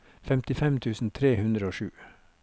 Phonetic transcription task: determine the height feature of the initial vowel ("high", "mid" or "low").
mid